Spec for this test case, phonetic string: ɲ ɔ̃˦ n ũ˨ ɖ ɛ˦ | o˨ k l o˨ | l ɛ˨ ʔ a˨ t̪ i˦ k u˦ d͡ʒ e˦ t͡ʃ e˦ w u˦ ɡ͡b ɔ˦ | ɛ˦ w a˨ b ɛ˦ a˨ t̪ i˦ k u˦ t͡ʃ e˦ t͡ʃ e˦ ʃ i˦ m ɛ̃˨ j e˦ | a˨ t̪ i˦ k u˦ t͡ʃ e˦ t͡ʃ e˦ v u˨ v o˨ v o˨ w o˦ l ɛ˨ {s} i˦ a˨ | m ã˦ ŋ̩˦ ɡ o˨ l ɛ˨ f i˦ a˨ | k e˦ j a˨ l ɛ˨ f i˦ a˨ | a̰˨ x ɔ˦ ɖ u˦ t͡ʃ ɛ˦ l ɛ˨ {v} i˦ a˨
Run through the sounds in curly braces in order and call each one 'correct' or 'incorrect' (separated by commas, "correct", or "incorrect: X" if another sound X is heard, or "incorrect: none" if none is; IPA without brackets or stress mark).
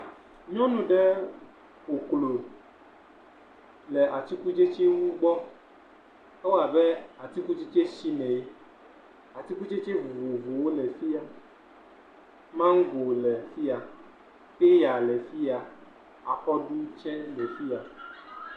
incorrect: f, incorrect: f